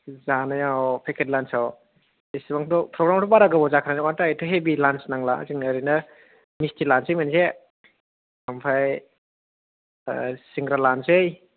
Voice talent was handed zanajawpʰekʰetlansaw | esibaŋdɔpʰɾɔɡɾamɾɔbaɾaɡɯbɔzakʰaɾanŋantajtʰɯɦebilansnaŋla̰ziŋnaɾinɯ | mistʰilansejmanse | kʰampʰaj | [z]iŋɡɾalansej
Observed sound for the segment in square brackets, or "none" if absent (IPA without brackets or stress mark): s